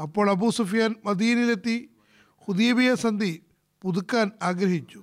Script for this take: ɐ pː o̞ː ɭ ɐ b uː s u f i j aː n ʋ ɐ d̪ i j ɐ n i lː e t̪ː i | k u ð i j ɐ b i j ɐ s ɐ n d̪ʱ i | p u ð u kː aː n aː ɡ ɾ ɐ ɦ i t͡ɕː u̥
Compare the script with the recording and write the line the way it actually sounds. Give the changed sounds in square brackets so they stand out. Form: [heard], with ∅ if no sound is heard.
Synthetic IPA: ɐ pː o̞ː ɭ ɐ b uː s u f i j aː n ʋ ɐ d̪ i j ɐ n i [l] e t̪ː i | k u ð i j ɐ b i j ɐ s ɐ n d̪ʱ i | p u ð u kː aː n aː ɡ ɾ ɐ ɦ i t͡ɕː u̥